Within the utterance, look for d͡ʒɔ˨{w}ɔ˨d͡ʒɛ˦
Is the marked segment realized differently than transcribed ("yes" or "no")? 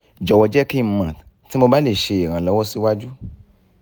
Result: no